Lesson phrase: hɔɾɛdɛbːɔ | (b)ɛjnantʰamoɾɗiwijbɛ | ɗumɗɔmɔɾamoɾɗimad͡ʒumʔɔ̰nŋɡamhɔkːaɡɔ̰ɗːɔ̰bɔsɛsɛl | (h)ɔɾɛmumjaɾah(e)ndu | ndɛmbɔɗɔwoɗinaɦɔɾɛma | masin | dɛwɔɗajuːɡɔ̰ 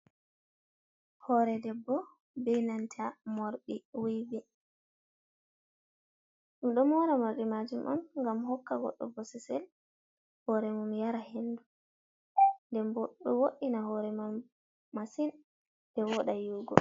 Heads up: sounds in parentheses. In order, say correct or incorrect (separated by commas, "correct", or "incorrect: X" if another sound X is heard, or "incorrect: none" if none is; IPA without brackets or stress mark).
correct, correct, correct